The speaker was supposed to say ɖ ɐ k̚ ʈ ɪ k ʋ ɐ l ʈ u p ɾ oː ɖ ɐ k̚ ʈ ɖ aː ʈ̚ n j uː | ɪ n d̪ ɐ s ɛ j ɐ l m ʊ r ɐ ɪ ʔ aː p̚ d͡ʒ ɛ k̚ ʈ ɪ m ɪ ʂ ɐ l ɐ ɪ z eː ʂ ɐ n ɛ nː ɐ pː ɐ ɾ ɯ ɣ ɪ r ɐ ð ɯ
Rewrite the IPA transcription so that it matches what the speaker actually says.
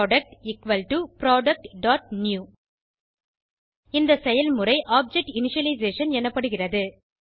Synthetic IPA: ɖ ɐ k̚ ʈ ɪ k ʋ ɐ l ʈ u p ɾ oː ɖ ɐ k̚ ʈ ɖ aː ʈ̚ n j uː | ɪ n d̪ ɐ s ɛ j ɐ l m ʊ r ɐ ɪ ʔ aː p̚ d͡ʒ ɛ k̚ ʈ ɪ n ɪ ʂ ɐ l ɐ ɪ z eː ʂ ɐ n ɛ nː ɐ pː ɐ ɽ ɯ ɣ ɪ r ɐ ð ɯ

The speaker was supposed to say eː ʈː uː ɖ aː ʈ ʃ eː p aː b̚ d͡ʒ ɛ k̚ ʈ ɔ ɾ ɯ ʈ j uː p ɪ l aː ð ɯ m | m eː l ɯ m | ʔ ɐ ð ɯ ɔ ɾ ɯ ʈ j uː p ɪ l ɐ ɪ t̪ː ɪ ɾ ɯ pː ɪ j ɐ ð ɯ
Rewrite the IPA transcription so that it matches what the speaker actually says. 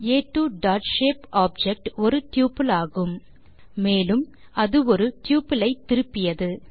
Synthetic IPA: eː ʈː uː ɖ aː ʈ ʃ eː p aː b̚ d͡ʒ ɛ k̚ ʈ ɔ ɾ ɯ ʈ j uː p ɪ l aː ɣ ɯ m | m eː l ɯ m | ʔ ɐ ð ɯ ɔ ɾ ɯ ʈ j uː p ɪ l ɐ ɪ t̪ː ɪ ɾ ɯ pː ɪ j ɐ ð ɯ

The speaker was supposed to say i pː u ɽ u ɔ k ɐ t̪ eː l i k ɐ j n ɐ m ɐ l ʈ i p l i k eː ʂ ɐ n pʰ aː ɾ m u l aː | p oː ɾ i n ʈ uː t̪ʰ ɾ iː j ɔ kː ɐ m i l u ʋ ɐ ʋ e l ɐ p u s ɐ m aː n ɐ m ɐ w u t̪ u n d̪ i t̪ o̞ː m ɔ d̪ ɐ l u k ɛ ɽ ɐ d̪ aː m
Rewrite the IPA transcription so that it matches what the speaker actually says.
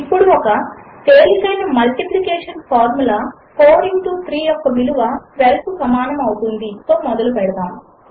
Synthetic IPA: i pː u ɽ u ɔ k ɐ t̪ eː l i k ɐ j n ɐ m ɐ l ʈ i p l i k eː ʂ ɐ n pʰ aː ɾ m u l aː | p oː ɾ i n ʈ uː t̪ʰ ɾ iː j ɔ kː ɐ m i l u ʋ ɐ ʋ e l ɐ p u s ɐ m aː n ɐ m ɐ w u t̪ u n d̪ i t̪ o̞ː m ɔ d̪ ɐ l u p ɛ ɽ ɐ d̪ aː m

